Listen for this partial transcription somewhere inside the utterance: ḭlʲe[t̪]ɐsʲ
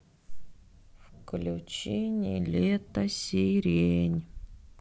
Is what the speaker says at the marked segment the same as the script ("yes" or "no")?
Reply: yes